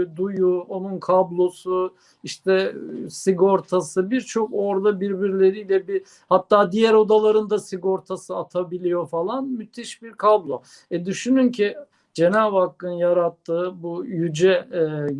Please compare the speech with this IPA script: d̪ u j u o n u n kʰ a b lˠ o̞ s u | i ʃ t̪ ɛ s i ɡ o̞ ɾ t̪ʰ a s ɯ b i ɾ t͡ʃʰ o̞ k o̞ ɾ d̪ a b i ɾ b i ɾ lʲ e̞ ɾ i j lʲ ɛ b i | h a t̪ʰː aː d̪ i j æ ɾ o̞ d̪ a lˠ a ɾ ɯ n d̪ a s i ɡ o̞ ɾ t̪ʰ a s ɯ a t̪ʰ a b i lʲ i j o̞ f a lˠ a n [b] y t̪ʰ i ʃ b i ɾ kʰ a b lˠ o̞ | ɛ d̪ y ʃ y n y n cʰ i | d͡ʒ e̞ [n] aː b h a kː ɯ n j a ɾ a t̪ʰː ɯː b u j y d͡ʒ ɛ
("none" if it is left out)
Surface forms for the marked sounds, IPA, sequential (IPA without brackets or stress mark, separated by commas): m, n